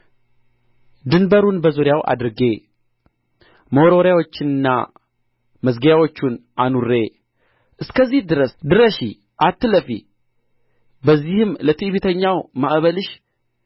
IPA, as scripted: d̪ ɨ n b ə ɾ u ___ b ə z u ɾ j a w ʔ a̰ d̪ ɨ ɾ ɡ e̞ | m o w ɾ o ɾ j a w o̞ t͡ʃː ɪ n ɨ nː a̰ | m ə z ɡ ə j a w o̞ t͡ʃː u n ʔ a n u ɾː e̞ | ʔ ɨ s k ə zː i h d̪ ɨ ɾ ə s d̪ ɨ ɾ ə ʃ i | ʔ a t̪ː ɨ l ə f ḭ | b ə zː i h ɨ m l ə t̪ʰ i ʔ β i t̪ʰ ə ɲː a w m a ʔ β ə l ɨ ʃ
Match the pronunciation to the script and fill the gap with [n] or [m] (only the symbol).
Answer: n